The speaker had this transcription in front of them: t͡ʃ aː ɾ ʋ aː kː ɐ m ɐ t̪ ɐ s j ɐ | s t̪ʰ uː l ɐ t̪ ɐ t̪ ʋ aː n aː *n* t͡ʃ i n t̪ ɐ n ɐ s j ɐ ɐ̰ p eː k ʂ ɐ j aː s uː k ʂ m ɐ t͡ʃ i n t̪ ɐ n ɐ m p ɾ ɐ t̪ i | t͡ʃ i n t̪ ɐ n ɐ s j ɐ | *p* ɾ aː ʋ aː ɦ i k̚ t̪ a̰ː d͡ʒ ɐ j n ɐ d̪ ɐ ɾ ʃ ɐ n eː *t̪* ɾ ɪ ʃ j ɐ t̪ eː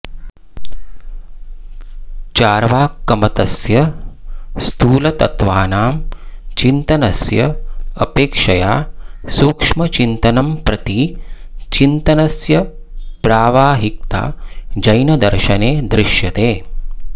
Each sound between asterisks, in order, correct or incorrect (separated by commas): incorrect, correct, incorrect